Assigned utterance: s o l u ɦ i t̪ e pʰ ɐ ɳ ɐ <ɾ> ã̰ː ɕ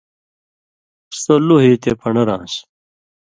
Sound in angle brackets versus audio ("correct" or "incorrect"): correct